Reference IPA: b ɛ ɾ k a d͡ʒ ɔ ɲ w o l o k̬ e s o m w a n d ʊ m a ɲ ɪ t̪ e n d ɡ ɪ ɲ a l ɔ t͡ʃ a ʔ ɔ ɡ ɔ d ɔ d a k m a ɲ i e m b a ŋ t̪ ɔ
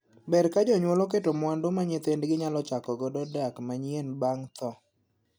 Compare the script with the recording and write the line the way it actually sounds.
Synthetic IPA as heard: b ɛ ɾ k a d͡ʒ ɔ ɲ w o l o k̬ e t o m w a n d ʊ m a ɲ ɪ t̪ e n d ɡ ɪ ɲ a l ɔ t͡ʃ a k ɔ ɡ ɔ d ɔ d a k m a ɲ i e n b a ŋ t̪ ɔ